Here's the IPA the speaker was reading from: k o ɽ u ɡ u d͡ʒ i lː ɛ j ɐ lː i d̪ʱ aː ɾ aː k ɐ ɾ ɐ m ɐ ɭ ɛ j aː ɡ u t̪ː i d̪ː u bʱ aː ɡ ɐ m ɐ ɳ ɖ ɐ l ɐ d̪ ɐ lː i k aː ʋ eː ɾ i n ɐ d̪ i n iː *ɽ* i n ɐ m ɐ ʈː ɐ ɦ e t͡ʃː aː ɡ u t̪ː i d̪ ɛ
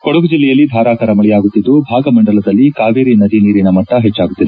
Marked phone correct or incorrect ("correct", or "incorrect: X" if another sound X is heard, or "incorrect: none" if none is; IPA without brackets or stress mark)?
incorrect: ɾ